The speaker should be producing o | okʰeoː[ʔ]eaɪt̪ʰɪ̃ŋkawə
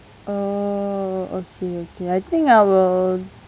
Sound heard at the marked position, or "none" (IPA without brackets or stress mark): k